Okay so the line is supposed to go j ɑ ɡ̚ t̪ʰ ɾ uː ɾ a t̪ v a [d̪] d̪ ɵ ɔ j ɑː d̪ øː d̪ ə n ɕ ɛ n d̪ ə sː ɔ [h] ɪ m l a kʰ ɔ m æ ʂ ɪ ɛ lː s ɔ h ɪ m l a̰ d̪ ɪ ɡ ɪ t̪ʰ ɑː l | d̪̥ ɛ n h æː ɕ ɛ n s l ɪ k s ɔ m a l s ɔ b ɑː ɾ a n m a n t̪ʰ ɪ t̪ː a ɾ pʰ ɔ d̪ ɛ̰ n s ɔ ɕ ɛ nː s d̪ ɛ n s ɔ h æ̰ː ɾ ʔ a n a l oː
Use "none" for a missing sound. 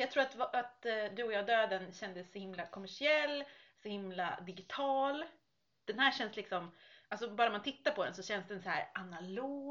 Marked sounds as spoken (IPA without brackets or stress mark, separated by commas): t̪, h